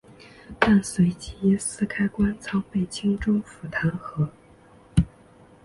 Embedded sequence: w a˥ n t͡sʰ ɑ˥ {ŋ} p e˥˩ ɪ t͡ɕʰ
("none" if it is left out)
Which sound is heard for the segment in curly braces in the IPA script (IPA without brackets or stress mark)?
ŋ